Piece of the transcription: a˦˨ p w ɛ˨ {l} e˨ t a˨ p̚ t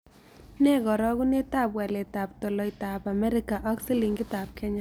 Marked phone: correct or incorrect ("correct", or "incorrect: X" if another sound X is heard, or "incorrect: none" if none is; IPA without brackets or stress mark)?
correct